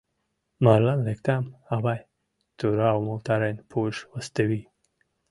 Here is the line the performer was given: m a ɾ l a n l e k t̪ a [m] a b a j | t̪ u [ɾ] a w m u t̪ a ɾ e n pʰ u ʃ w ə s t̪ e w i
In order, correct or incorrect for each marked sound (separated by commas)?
correct, correct